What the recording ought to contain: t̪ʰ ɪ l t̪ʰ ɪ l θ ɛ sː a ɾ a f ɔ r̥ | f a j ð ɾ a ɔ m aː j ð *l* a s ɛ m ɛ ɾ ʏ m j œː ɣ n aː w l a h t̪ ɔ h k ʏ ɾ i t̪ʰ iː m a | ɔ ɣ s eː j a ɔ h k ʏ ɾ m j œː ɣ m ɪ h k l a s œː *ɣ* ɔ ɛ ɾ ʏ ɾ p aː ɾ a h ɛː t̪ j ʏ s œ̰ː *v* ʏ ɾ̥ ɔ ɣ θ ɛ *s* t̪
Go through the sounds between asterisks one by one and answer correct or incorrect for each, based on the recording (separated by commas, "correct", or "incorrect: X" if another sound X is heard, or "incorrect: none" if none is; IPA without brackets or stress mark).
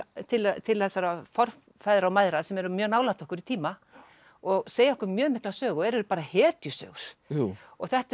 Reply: incorrect: ɾ, correct, incorrect: ɣ, incorrect: h